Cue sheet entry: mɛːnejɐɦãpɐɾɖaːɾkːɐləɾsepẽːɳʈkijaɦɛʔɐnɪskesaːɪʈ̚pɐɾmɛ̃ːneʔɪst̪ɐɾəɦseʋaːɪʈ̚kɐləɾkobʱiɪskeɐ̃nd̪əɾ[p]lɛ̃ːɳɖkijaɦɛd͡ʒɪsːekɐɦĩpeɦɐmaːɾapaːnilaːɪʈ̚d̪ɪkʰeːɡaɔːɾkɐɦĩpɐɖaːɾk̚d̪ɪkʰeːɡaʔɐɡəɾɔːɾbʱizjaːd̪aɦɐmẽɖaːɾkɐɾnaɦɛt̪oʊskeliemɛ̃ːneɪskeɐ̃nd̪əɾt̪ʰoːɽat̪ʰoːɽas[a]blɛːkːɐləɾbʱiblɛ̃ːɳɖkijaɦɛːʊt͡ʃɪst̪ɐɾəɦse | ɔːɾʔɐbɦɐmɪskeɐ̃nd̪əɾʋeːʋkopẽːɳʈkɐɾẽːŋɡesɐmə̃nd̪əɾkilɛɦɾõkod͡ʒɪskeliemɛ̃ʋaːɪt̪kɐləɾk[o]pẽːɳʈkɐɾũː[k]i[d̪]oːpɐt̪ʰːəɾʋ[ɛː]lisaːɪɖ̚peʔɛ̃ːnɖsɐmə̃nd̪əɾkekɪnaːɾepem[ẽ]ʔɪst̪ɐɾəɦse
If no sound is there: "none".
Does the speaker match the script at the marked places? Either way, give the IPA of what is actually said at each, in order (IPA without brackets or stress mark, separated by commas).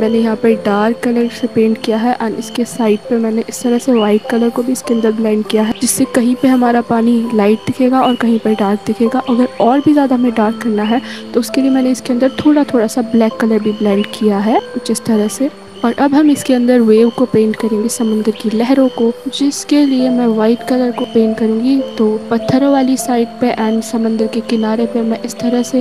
b, a, o, ɡ, t̪, aː, ɛ̃